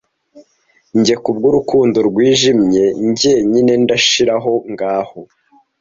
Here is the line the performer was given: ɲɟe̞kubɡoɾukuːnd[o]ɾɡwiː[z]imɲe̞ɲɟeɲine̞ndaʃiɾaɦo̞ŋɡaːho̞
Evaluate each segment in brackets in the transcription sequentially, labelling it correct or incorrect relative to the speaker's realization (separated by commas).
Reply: correct, incorrect